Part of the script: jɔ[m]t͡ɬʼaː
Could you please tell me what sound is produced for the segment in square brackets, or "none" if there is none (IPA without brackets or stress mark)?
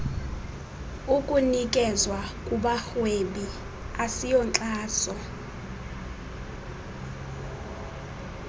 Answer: n